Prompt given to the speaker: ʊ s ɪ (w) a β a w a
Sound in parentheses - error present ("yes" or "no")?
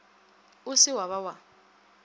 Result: no